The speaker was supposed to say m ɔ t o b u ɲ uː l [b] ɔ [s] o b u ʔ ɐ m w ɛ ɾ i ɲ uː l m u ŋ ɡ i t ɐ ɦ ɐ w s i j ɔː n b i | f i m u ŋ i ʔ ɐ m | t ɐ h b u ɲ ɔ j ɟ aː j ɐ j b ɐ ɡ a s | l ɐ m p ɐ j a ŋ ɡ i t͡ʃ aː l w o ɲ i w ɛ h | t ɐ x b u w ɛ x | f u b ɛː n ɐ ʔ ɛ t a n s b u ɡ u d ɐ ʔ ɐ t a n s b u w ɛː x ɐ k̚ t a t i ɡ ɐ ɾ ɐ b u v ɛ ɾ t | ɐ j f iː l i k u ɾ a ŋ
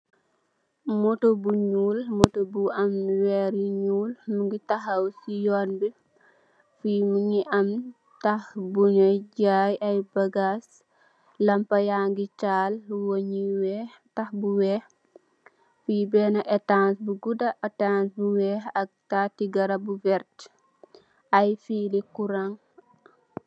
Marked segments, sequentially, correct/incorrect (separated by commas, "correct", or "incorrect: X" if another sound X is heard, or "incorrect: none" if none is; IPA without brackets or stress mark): incorrect: m, incorrect: t